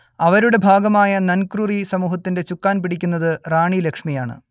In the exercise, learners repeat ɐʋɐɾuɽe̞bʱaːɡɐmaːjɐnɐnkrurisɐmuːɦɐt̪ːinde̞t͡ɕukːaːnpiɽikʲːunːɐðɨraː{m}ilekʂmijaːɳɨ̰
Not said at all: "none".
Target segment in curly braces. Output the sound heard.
ɳ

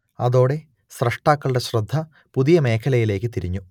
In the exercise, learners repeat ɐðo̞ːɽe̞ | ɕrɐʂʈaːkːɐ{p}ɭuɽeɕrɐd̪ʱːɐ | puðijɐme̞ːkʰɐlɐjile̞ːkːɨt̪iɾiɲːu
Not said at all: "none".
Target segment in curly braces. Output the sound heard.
none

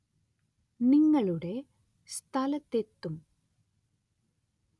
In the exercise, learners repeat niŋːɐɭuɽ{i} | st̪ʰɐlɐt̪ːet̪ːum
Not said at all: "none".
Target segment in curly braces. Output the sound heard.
e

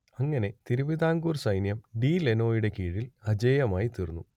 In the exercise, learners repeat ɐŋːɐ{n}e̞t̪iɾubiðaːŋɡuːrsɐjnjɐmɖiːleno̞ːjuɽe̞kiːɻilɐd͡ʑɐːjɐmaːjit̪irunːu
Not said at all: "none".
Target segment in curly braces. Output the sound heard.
n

